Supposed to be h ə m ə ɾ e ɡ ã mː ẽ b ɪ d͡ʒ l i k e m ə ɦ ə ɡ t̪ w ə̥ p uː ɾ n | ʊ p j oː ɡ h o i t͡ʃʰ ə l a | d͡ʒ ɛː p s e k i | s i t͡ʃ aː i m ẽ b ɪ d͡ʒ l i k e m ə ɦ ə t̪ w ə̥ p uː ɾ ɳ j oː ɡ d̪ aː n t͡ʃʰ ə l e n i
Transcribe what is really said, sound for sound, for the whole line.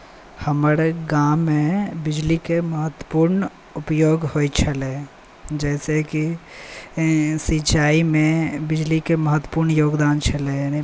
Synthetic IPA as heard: h ə m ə ɾ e ɡ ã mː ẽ b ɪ d͡ʒ l i k e m ə ɦ ə t̪ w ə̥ p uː ɾ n | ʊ p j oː ɡ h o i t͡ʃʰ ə l e | d͡ʒ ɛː s e k i | s i t͡ʃ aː i m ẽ b ɪ d͡ʒ l i k e m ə ɦ ə t̪ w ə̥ p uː ɾ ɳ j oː ɡ d̪ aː n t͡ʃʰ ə l e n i